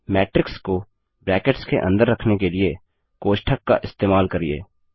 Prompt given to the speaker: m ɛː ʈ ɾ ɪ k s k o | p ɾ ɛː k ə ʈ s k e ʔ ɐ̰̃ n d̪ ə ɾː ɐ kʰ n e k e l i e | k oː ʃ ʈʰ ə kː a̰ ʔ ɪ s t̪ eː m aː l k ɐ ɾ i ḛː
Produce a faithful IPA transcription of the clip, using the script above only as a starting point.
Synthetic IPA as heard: m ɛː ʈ ɾ ɪ k s k o | b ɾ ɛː k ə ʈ s k e ʔ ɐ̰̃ n d̪ ə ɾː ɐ kʰ n e k e l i e | k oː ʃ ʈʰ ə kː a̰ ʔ ɪ s t̪ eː m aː l k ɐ ɾ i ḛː